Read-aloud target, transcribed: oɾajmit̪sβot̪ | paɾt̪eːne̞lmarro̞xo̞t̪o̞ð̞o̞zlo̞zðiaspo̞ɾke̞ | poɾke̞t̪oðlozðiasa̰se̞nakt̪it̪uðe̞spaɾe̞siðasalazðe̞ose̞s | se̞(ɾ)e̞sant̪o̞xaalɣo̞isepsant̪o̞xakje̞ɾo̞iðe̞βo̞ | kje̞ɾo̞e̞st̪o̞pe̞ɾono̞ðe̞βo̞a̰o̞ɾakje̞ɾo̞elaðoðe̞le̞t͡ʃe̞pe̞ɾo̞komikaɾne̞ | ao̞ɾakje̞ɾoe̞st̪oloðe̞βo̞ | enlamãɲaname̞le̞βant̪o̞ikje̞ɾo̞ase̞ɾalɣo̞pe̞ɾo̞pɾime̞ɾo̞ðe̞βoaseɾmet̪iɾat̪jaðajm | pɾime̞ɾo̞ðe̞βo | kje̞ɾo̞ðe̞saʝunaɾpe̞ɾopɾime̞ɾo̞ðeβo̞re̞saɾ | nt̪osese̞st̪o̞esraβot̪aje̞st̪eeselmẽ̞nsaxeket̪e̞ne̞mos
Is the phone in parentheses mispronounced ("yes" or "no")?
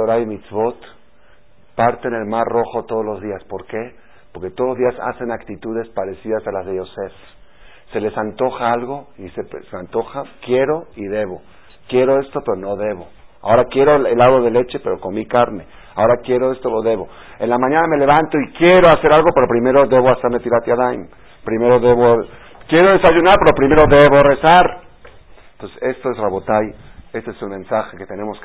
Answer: yes